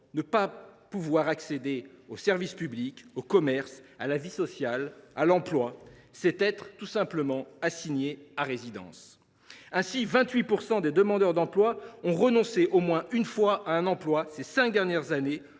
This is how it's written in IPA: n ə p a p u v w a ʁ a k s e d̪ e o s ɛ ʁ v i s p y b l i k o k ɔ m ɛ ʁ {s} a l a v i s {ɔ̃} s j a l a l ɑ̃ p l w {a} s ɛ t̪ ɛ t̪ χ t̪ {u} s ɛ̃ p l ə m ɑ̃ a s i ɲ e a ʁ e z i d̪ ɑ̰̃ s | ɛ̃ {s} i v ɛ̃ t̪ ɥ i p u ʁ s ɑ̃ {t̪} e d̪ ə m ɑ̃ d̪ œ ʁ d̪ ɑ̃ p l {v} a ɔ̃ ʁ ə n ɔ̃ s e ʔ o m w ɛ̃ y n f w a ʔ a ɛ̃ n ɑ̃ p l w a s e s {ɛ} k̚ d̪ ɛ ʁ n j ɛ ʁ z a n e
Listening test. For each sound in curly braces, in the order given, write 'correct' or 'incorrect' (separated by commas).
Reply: correct, incorrect, correct, correct, correct, incorrect, incorrect, incorrect